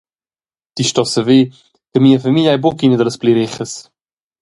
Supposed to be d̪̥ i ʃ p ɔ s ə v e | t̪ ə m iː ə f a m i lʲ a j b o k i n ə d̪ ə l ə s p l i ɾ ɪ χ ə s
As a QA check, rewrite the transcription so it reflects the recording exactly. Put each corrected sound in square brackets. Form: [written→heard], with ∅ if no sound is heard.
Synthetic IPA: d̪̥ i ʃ [p→t] ɔ s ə v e | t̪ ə m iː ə f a m i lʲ a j b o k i n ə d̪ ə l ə s p l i ɾ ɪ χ ə s